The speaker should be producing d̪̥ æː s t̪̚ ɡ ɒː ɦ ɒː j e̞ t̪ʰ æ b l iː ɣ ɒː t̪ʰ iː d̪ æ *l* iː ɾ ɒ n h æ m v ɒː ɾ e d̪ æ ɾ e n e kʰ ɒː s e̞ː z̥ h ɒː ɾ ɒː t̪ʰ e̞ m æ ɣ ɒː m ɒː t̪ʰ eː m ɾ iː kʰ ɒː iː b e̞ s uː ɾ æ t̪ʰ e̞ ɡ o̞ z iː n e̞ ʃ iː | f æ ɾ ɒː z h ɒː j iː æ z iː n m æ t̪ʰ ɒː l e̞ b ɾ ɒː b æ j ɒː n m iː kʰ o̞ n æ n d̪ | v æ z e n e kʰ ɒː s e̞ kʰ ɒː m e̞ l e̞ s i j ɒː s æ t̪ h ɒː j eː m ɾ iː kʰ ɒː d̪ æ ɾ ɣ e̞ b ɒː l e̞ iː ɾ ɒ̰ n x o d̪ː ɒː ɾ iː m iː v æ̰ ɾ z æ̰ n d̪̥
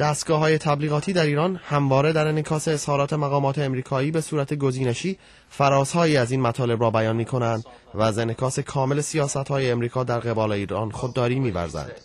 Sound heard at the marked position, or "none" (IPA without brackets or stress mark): ɾ